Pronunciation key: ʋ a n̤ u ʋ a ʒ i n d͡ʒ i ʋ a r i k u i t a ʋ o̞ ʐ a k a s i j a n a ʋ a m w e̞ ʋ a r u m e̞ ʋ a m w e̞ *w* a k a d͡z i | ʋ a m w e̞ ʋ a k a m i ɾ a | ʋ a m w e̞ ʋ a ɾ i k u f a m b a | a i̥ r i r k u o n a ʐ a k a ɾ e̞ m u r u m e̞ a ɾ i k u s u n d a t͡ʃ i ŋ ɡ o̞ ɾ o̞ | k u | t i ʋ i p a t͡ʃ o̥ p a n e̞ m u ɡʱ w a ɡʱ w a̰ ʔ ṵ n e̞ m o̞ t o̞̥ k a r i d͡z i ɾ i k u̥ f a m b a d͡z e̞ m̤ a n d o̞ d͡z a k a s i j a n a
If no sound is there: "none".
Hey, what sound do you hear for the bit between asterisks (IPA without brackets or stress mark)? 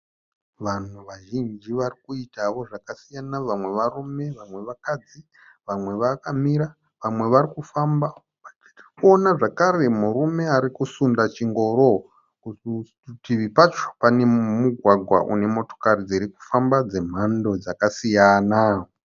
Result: ʋ